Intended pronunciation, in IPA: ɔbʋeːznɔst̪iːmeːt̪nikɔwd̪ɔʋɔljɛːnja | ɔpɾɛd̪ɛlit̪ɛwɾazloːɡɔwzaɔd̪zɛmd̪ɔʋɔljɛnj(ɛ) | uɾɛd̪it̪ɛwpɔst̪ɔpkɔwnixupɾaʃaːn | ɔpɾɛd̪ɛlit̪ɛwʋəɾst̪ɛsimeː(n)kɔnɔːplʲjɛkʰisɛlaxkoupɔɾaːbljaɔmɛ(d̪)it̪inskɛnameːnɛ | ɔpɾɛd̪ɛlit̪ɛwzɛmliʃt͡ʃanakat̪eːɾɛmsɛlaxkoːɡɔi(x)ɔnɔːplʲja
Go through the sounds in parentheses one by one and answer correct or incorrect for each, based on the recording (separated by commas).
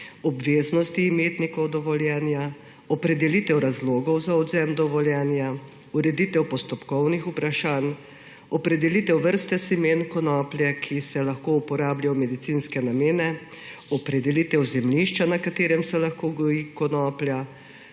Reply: incorrect, correct, correct, incorrect